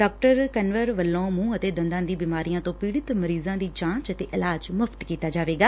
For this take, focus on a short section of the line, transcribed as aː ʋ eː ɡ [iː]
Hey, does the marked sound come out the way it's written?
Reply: no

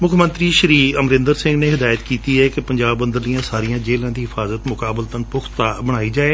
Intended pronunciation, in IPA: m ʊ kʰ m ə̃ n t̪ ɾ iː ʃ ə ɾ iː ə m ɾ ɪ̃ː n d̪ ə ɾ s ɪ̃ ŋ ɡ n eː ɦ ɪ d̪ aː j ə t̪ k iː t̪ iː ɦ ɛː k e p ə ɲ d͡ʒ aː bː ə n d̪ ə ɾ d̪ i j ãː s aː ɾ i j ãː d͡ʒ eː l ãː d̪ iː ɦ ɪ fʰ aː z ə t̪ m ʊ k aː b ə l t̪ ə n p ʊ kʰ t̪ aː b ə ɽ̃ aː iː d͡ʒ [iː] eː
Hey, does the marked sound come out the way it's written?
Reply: no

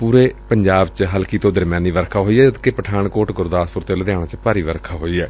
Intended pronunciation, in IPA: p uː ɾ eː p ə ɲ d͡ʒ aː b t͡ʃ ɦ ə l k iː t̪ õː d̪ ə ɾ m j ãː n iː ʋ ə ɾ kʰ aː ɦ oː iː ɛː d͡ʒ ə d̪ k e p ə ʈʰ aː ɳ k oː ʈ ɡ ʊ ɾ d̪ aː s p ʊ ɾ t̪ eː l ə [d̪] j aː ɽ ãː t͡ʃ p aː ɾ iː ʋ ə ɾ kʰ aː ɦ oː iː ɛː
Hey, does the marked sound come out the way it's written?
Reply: yes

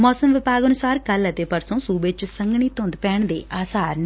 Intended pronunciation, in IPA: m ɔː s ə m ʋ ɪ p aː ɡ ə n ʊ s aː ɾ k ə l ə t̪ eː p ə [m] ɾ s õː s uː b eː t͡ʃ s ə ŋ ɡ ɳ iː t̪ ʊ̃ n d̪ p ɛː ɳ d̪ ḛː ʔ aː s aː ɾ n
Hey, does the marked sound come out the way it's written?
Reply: no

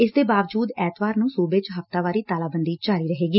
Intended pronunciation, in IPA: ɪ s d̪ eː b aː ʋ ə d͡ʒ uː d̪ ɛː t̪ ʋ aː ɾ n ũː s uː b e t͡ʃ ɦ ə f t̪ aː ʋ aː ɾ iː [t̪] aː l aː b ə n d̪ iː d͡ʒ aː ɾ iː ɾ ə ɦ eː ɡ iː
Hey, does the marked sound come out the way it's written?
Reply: yes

